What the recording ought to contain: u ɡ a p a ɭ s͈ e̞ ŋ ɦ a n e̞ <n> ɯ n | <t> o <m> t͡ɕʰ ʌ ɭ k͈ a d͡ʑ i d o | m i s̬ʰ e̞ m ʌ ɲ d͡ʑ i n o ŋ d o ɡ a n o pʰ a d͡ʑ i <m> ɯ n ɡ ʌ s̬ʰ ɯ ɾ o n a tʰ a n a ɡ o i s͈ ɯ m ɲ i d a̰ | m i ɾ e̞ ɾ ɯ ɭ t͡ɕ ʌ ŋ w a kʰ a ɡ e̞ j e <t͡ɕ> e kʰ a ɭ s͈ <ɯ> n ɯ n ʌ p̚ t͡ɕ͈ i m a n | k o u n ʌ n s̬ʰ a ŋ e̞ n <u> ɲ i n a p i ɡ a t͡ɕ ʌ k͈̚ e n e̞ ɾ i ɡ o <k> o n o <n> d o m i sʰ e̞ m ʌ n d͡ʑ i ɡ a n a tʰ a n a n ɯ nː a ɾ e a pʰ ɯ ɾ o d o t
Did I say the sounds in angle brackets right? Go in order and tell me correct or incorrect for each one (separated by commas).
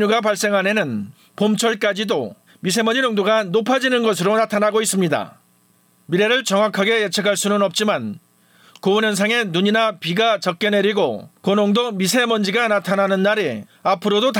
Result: correct, incorrect, correct, incorrect, incorrect, incorrect, correct, correct, incorrect